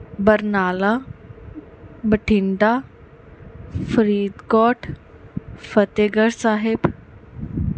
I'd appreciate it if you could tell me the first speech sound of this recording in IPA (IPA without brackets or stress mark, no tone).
b